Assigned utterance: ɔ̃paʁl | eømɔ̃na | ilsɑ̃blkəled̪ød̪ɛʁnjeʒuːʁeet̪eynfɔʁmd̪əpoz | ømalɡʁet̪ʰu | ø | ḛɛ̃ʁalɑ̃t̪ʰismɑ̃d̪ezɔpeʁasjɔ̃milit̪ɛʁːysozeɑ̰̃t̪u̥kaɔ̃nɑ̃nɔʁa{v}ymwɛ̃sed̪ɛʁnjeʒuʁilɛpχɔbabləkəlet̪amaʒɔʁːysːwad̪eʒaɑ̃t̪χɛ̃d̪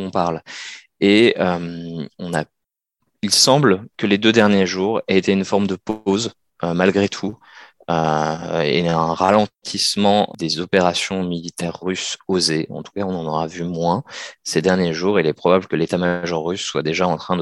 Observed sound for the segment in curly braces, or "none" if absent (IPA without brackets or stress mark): v